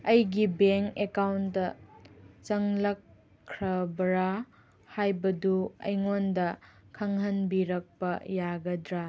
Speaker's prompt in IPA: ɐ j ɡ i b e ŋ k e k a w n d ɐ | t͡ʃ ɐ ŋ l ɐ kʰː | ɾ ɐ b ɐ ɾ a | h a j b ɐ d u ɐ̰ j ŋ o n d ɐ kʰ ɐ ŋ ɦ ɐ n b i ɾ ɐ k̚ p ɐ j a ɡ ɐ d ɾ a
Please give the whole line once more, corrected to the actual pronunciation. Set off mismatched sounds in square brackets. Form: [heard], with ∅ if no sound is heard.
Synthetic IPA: ɐ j ɡ i b e ŋ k e k a w n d ɐ | t͡ʃ ɐ ŋ l ɐ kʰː | ɾ ɐ b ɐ ɾ a | h a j b ɐ d u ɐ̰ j ŋ o n d ɐ kʰ ɐ ŋ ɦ ɐ n b i ɾ ɐ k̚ p ɐ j a ɡ ɐ d ɾ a

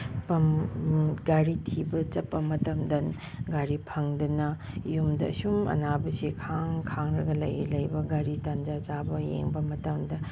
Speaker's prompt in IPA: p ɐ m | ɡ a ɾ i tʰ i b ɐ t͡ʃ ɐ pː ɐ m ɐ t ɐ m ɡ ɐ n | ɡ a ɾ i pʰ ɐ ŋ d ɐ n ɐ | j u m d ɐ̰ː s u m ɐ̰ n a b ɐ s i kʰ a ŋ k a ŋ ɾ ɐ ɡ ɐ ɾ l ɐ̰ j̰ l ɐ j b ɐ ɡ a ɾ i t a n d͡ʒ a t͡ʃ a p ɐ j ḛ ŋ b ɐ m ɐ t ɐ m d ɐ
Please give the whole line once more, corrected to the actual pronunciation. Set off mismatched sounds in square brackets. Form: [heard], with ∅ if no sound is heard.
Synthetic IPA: p ɐ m | ɡ a ɾ i tʰ i b ɐ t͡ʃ ɐ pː ɐ m ɐ t ɐ m [d] ɐ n | ɡ a ɾ i pʰ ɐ ŋ d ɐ n ɐ | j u m d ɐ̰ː s u m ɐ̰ n a b ɐ s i kʰ a ŋ [kʰ] a ŋ ɾ ɐ ɡ ɐ [∅] l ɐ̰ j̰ l ɐ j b ɐ ɡ a ɾ i t a n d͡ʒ a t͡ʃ a [b] ɐ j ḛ ŋ b ɐ m ɐ t ɐ m d ɐ

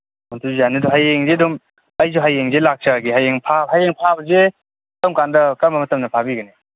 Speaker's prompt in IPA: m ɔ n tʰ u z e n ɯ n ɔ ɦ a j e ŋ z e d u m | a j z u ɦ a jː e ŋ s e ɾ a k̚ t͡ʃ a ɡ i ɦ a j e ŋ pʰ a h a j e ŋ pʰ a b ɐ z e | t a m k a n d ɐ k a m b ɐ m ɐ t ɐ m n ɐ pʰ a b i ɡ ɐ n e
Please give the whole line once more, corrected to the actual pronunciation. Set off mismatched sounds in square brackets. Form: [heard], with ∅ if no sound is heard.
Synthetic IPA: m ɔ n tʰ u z [a] n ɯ [d] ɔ ɦ a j e ŋ z e d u m | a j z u ɦ a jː e ŋ [z] e [l] a k̚ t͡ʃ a ɡ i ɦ a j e ŋ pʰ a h a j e ŋ pʰ a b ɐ z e | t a m k a n d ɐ k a m b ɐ m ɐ t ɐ m n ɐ pʰ a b i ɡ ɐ n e

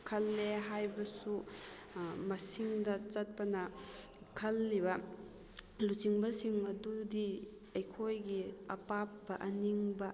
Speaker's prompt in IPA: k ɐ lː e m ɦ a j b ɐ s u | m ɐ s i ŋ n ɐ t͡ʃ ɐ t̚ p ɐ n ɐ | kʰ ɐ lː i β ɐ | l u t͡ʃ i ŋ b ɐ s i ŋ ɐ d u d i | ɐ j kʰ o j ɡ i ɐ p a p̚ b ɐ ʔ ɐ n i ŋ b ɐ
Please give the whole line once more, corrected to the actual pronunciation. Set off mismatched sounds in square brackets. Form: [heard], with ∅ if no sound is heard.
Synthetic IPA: [kʰ] ɐ lː e [∅] ɦ a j b ɐ s u | m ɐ s i ŋ [d] ɐ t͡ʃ ɐ t̚ p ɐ n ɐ | kʰ ɐ lː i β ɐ | l u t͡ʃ i ŋ b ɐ s i ŋ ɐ d u d i | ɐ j kʰ o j ɡ i ɐ p a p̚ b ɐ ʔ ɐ n i ŋ b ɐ

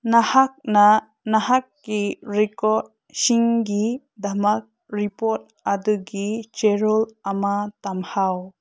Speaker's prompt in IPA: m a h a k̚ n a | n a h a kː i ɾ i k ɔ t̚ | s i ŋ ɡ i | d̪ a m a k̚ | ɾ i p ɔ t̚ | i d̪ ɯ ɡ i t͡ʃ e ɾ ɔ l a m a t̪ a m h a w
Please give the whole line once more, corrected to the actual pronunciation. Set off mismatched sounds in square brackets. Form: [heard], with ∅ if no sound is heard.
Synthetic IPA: [n] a h a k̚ n a | n a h a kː i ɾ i k ɔ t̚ | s i ŋ ɡ i | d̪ a m a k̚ | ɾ i p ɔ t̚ | [a] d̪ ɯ ɡ i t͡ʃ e ɾ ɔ l a m a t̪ a m h a w

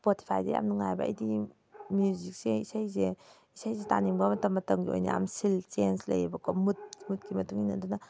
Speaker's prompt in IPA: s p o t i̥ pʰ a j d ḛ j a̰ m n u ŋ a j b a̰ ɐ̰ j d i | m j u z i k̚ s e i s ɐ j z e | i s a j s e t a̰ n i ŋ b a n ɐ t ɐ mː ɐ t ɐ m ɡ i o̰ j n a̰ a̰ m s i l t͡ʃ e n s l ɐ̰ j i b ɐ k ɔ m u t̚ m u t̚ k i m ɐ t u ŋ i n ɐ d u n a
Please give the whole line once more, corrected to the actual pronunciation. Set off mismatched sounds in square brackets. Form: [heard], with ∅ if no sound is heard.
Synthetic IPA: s p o t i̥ pʰ a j d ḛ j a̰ m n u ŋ a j b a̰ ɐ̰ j d i | m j u z i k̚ s e i s [a] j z e | i s a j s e t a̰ n i ŋ b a [m] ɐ t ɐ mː ɐ t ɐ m ɡ i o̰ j n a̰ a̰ m s i l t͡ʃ e n s l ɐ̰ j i b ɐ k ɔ m u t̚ m u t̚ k i m ɐ t u ŋ i n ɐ d u n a

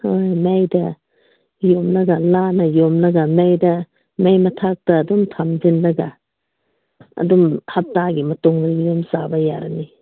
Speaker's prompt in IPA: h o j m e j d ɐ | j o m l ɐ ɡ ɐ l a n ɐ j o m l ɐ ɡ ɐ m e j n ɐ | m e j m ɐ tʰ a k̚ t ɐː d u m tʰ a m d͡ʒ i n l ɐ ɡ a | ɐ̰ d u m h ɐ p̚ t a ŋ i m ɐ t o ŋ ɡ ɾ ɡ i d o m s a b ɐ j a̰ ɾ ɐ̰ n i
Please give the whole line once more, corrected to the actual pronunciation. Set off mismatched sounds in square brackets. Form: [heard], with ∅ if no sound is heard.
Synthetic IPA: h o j m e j d ɐ | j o m l ɐ ɡ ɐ l a n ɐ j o m l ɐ ɡ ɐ m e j [d] ɐ | m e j m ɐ tʰ a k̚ t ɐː d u m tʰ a m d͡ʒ i n l ɐ ɡ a | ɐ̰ d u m h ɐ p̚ t a [ɡ] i m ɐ t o ŋ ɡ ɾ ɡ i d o m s a b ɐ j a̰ ɾ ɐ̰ n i

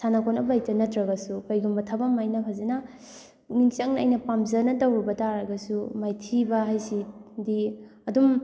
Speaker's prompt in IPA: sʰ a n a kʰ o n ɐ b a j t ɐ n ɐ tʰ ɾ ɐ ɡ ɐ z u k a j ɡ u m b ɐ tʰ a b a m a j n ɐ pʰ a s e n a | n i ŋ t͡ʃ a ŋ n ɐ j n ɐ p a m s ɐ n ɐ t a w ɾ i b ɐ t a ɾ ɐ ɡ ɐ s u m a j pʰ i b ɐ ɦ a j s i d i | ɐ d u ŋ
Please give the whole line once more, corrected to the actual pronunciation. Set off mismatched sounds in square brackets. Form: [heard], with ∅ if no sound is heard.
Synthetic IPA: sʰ a n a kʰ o n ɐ b a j t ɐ n ɐ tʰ ɾ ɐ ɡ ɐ [s] u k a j ɡ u m b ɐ tʰ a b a m a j n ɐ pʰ a [z] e n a | n i ŋ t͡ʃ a ŋ n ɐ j n ɐ p a m [z] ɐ n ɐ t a w ɾ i b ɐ t a ɾ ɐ ɡ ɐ s u m a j [tʰ] i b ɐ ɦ a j s i d i | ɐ d u [m]

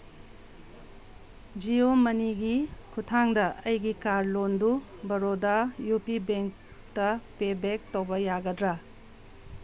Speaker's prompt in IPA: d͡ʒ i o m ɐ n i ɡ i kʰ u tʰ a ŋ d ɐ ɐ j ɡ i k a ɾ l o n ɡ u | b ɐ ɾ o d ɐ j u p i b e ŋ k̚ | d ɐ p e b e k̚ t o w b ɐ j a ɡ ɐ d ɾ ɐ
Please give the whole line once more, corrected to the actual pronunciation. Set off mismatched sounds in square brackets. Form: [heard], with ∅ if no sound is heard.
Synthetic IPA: d͡ʒ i o m ɐ n i ɡ i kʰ u tʰ a ŋ d ɐ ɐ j ɡ i k a ɾ l o n [d] u | b ɐ ɾ o d ɐ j u p i b e ŋ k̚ | [t] ɐ p e b e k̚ t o w b ɐ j a ɡ ɐ d ɾ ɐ

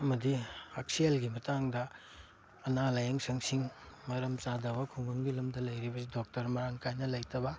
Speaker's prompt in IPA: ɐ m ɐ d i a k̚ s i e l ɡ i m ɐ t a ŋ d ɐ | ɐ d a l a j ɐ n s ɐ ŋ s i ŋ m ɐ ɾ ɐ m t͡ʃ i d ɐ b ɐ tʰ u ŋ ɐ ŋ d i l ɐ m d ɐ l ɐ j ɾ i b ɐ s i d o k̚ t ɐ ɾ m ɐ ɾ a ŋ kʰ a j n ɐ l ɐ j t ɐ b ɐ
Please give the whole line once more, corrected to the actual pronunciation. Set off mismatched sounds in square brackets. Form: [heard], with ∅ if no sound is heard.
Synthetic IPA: ɐ m ɐ d i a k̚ s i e l ɡ i m ɐ t a ŋ d ɐ | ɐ [n] a l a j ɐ [ŋ] s ɐ ŋ s i ŋ m ɐ ɾ ɐ m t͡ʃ [a] d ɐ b ɐ [kʰ] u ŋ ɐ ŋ [ɡ] i l ɐ m d ɐ l ɐ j ɾ i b ɐ s i d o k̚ t ɐ ɾ m ɐ ɾ a ŋ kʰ a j n ɐ l ɐ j t ɐ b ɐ

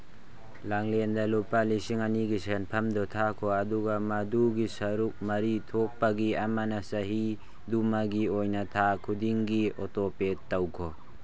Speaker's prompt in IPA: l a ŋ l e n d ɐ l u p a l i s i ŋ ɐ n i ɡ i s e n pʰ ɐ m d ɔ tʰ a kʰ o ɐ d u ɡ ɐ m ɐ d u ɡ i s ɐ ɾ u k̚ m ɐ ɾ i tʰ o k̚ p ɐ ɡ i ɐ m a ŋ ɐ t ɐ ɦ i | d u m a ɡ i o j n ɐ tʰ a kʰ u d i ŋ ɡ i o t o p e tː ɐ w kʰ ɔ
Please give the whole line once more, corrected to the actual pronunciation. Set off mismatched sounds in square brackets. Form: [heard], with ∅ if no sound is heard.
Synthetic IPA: l a ŋ l e n d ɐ l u p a l i s i ŋ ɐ n i ɡ i s e n pʰ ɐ m d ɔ tʰ a kʰ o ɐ d u ɡ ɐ m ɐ d u ɡ i s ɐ ɾ u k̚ m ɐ ɾ i tʰ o k̚ p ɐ ɡ i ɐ m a [n] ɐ [s] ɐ ɦ i | d u m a ɡ i o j n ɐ tʰ a kʰ u d i ŋ ɡ i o t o p e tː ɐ w kʰ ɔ

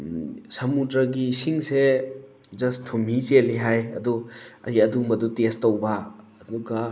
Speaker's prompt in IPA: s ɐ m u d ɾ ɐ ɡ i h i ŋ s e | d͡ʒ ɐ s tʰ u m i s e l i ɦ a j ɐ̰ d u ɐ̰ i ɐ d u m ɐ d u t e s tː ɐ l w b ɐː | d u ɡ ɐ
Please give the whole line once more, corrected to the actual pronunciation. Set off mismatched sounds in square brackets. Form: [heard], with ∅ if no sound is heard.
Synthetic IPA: s ɐ m u d ɾ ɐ ɡ i [s] i ŋ s e | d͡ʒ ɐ s tʰ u m i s e l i ɦ a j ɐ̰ d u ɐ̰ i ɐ d u m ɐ d u t e s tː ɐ [∅] w b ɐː | d u ɡ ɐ

